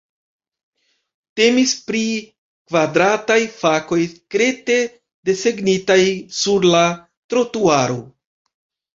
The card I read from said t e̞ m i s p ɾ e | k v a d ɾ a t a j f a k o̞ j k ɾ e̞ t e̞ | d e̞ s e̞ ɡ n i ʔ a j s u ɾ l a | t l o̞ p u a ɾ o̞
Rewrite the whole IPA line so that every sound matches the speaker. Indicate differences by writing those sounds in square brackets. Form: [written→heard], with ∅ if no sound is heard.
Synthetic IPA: t e̞ m i s p ɾ [e→i] | k v a d ɾ a t a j f a k o̞ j k ɾ e̞ t e̞ | d e̞ s e̞ ɡ n i [ʔ→t] a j s u ɾ l a | t [l→ɾ] o̞ [p→t] u a ɾ o̞

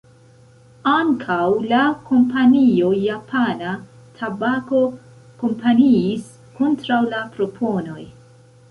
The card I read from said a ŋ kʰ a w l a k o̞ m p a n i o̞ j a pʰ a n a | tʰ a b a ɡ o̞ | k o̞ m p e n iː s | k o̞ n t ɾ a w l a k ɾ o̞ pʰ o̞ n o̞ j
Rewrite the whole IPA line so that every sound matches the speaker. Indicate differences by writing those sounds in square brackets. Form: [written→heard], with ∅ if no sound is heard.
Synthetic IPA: a ŋ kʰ a w l a k o̞ m p a n i o̞ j a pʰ a n a | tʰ a b a [ɡ→k] o̞ | k o̞ m p [e→a] n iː s | k o̞ n t ɾ a w l a [k→p] ɾ o̞ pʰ o̞ n o̞ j

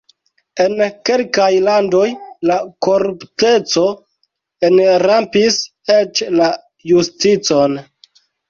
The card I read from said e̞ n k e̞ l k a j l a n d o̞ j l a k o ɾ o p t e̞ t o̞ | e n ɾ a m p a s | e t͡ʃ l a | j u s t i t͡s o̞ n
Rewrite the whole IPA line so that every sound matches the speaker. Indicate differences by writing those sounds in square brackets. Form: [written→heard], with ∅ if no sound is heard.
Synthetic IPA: e̞ n k e̞ l k a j l a n d o̞ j l a k o ɾ [o→u] p t e̞ [t→t͡s] o̞ | e n ɾ a m p [a→i] s | e t͡ʃ l a | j u s t i t͡s o̞ n

